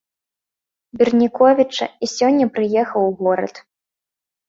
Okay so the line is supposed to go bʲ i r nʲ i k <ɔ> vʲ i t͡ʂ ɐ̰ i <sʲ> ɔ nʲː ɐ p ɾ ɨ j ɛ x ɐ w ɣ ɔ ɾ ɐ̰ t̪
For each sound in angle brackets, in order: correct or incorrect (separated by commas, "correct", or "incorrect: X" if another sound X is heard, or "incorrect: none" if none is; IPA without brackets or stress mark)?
correct, correct